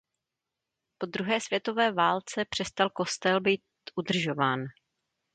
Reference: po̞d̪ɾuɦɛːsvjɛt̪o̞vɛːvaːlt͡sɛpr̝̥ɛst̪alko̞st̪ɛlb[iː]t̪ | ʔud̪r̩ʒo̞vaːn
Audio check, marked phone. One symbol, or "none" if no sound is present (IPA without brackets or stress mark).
iː